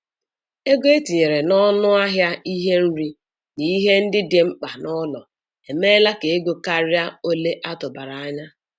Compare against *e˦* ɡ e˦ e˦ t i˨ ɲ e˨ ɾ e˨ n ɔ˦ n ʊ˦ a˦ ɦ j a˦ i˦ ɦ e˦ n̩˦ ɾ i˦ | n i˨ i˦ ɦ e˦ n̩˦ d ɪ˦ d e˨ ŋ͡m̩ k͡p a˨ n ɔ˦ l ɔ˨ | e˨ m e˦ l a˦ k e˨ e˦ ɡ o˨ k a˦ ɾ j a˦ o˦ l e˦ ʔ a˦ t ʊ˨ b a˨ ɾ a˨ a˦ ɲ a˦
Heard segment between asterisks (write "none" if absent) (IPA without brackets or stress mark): e˦